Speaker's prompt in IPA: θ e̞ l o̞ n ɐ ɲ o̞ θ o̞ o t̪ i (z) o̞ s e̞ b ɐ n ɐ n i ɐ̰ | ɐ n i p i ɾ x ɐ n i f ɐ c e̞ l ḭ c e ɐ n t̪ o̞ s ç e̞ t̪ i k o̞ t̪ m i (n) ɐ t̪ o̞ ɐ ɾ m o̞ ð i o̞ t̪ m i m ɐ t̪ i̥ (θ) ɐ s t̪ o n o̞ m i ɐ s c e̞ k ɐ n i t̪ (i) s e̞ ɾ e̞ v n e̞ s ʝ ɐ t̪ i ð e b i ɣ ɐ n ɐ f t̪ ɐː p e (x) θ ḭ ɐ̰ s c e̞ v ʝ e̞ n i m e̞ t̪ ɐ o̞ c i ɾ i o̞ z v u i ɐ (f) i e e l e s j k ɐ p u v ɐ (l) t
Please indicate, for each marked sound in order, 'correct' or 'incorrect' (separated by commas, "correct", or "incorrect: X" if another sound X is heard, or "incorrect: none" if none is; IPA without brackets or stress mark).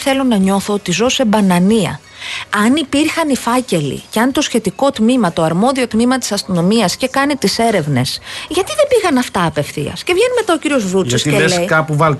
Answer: correct, incorrect: m, incorrect: s, correct, incorrect: f, incorrect: s, correct